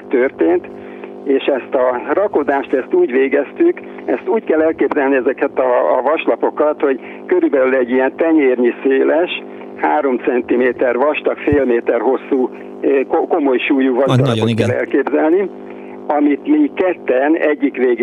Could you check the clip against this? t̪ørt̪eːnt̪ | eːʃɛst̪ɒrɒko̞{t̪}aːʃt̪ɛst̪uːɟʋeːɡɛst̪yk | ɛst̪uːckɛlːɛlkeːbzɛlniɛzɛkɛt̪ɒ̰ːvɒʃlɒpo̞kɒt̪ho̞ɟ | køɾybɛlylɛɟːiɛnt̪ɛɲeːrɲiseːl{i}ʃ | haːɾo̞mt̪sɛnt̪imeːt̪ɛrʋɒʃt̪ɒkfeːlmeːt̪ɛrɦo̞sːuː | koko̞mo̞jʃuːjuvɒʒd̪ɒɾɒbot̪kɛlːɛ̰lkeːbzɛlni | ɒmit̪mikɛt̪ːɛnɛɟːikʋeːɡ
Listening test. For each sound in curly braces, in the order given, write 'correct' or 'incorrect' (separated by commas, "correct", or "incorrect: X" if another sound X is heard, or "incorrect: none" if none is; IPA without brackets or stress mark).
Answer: incorrect: d̪, incorrect: ɛ